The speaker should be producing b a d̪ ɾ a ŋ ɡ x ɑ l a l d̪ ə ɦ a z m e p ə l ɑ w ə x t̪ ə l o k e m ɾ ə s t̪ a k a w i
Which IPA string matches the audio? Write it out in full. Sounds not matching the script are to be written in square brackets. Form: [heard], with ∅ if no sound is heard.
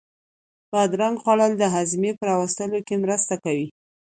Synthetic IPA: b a d̪ ɾ a ŋ ɡ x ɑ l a l d̪ ə ɦ a z m e p ə [ɾ] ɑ w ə [s] t̪ ə l o k e m ɾ ə s t̪ a k a w i